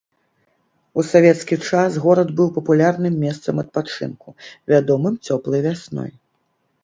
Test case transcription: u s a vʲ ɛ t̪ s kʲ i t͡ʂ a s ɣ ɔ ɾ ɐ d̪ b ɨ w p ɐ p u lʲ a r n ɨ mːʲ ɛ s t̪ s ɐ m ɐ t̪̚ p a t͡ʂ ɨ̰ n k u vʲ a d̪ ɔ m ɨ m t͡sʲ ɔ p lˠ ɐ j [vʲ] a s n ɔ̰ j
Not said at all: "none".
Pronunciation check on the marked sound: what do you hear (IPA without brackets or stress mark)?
vʲ